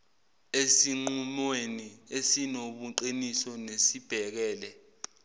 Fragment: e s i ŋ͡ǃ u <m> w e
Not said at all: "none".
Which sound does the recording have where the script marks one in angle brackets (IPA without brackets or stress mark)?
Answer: m